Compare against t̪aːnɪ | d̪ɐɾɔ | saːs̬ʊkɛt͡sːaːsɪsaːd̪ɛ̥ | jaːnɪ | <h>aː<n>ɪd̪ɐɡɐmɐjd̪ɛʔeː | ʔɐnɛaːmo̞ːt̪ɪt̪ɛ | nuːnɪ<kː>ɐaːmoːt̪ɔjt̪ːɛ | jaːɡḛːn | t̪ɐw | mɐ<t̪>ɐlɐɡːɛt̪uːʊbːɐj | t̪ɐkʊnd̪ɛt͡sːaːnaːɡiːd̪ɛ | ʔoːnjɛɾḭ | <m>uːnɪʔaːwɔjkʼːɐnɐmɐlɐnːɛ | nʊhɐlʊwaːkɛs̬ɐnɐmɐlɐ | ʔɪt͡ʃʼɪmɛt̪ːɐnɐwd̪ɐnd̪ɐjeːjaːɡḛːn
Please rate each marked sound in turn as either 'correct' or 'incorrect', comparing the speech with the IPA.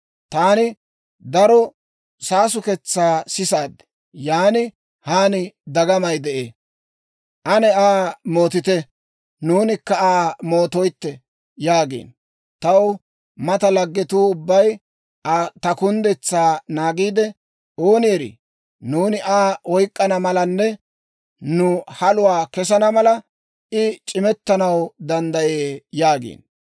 correct, correct, correct, correct, incorrect

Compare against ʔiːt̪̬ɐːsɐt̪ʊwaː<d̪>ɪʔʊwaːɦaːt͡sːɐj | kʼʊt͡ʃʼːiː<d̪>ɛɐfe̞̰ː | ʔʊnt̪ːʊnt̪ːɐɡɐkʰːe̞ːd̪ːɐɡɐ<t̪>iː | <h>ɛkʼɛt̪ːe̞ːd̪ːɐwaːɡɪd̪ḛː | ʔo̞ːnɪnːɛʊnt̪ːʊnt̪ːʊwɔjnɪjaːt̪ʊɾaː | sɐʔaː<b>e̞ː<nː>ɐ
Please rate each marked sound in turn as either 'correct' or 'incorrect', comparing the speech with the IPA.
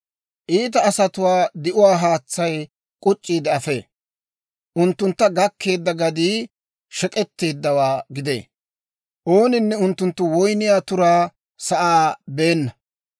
correct, correct, incorrect, incorrect, correct, correct

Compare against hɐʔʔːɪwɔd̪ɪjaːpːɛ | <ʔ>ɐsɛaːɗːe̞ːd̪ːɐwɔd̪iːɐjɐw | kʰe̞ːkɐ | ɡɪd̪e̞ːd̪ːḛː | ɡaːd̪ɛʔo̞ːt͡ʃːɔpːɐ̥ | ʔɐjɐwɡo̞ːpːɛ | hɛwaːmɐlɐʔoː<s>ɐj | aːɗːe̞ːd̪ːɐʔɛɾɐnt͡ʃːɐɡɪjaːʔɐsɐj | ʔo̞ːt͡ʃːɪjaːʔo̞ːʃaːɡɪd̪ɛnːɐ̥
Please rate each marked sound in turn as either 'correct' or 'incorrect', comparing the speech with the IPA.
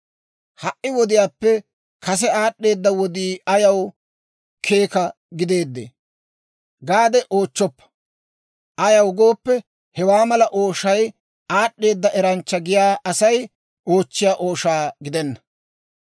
incorrect, incorrect

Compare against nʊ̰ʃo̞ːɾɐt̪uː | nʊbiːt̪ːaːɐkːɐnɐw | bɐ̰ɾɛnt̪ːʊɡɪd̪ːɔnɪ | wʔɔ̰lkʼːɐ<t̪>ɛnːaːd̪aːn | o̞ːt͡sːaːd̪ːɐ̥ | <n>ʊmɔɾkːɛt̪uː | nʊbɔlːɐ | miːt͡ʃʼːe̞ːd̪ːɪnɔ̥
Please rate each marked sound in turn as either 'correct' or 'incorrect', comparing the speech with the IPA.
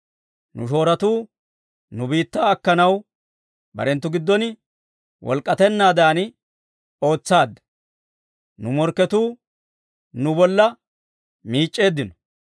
correct, correct

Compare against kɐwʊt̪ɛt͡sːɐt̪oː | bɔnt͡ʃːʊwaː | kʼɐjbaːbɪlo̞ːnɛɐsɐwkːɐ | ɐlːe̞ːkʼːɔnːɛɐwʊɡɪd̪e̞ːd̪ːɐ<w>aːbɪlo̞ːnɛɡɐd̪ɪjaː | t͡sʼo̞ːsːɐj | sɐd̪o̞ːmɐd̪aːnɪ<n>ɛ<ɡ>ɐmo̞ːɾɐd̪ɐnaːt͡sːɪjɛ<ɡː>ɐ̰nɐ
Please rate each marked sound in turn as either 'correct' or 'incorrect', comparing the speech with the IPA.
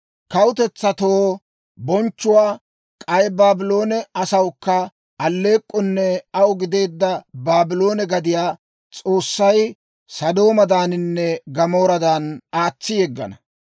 incorrect, incorrect, correct, correct

